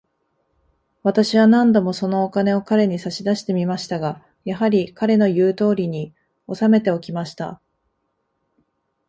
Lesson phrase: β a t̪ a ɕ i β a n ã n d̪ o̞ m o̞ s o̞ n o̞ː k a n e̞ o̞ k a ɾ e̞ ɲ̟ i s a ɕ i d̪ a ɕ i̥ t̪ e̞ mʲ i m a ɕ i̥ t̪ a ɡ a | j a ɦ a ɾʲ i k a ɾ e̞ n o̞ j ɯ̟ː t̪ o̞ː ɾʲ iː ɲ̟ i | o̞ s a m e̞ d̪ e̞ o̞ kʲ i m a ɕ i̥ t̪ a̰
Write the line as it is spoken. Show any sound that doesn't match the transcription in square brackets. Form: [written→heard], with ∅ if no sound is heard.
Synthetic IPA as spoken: β a t̪ a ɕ i β a n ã n d̪ o̞ m o̞ s o̞ n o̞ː k a n e̞ o̞ k a ɾ e̞ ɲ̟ i s a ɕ i d̪ a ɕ i̥ t̪ e̞ mʲ i m a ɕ i̥ t̪ a ɡ a | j a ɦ a ɾʲ i k a ɾ e̞ n o̞ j ɯ̟ː t̪ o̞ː ɾʲ [iː→i] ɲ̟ i | o̞ s a m e̞ [d̪→t̪] e̞ o̞ kʲ i m a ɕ i̥ t̪ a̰